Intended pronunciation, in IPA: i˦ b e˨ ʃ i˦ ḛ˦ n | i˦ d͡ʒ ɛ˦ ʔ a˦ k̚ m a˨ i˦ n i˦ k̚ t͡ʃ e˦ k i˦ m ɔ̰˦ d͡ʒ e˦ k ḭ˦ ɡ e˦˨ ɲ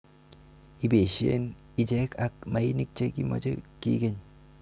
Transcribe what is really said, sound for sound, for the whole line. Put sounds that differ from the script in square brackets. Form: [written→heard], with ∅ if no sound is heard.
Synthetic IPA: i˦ b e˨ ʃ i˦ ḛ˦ n | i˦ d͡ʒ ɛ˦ [ʔ→k] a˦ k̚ m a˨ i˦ n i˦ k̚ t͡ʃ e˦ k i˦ m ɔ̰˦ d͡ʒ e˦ k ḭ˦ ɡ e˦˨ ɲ